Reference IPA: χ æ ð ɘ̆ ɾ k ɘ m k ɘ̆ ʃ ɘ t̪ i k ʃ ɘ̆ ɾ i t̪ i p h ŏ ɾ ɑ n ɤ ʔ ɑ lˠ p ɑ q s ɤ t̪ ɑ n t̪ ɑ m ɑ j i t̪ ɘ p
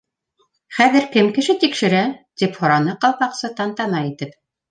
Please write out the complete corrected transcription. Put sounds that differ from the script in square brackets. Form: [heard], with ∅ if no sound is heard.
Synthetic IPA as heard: χ æ ð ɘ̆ ɾ k ɘ m k ɘ̆ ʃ ɘ t̪ i k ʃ ɘ̆ ɾ [æ] t̪ i p h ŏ ɾ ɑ n ɤ [q] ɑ lˠ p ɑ q s ɤ t̪ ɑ n t̪ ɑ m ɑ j i t̪ ɘ p